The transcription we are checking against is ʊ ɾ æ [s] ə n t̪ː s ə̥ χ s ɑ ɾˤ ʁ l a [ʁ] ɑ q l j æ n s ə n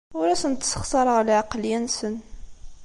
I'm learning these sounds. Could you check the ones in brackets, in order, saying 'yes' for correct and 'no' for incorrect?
yes, no

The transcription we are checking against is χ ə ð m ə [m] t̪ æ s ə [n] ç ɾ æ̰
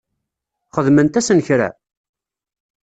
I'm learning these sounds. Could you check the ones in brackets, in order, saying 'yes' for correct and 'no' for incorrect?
no, yes

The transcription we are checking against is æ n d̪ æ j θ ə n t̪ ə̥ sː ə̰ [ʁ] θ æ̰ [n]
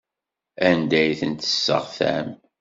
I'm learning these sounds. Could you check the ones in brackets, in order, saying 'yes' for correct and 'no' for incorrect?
yes, no

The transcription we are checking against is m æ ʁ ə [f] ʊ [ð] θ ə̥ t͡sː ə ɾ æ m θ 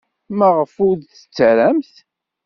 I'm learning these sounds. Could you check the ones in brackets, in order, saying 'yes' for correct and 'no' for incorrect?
yes, yes

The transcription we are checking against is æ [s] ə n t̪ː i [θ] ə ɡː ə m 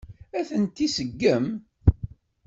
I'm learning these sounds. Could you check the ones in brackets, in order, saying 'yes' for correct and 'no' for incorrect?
no, no

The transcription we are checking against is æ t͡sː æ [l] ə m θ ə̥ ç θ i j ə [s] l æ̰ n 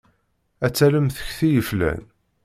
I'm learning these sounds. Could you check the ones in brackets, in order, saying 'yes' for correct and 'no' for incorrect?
yes, no

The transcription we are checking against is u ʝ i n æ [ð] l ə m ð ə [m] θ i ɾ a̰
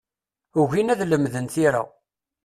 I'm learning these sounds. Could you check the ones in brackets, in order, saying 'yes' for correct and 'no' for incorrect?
yes, no

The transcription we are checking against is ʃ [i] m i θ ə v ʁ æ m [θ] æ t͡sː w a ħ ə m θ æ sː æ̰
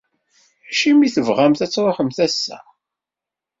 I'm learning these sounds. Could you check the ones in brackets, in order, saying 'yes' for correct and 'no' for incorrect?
yes, yes

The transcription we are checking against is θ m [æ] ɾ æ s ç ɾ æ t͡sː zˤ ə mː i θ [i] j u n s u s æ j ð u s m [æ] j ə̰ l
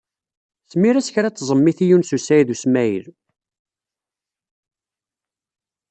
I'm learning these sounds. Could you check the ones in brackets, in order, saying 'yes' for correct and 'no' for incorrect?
no, yes, yes

